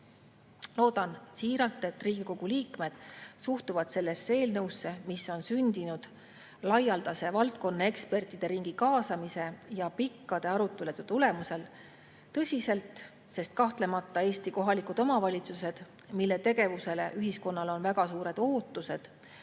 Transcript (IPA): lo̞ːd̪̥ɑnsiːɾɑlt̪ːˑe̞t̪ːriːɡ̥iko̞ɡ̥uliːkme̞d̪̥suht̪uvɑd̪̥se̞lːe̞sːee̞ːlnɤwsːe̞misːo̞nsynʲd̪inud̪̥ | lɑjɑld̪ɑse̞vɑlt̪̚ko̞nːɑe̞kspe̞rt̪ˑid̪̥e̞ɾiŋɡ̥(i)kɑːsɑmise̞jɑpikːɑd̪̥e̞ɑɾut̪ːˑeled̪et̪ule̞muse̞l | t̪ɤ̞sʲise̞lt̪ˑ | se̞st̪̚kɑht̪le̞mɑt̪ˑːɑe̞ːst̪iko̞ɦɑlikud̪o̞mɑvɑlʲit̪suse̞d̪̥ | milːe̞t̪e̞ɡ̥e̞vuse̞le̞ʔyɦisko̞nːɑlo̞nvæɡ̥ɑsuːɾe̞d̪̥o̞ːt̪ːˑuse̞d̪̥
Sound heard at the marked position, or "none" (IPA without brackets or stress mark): i